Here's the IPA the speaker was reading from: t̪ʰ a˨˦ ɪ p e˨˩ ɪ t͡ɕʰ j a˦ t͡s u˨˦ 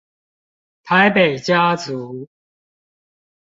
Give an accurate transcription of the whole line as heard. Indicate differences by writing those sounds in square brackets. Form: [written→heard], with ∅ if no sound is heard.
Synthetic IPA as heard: t̪ʰ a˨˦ ɪ p e˨˩ ɪ [t͡ɕʰ→t͡ɕ] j a˦ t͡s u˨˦